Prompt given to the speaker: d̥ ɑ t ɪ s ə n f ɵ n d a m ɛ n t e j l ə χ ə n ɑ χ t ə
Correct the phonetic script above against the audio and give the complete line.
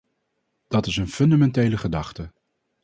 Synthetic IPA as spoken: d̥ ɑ t ɪ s ə n f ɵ n d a m ɛ n t e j l ə χ ə d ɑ χ t ə